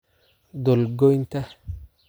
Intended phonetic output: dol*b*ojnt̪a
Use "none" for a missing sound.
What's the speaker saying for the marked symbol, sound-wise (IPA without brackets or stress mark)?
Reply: ɡ